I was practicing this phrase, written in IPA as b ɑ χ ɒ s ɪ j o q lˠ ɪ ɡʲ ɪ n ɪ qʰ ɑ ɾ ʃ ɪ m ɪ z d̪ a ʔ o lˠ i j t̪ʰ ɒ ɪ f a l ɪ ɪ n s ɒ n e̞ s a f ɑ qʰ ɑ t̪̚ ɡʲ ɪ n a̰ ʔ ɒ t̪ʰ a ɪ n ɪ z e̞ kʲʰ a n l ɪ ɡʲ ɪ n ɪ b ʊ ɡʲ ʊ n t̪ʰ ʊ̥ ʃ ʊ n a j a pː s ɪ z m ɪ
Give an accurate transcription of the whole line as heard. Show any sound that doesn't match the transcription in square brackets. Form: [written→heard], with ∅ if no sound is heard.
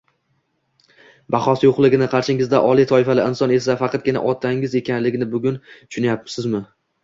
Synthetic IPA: b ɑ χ ɒ s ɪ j o q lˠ ɪ ɡʲ ɪ n ɪ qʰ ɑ ɾ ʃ ɪ [m→ŋ] ɪ z d̪ a ʔ [o→ɒ] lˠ i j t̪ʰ ɒ ɪ f a l ɪ ɪ n s ɒ n e̞ s a f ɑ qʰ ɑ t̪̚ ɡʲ ɪ n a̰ ʔ ɒ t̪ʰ a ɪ [n→ŋ] ɪ z e̞ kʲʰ a n l ɪ ɡʲ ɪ n ɪ b ʊ ɡʲ ʊ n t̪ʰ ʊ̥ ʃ ʊ n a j a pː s ɪ z m ɪ